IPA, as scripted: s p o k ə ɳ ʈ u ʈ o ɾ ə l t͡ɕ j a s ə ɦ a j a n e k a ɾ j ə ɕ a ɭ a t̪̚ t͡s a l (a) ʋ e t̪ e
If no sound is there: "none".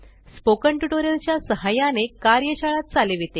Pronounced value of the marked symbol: e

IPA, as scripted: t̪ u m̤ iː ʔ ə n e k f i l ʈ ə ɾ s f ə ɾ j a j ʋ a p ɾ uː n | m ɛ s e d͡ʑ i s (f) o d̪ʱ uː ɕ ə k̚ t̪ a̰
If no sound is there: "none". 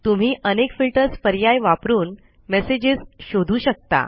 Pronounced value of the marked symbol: ɕ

